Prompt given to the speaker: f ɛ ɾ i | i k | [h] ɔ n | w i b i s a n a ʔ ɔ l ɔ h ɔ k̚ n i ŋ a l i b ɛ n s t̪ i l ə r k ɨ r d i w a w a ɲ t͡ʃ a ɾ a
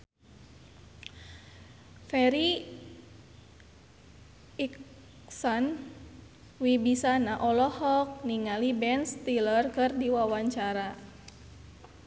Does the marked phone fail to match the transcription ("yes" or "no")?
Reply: yes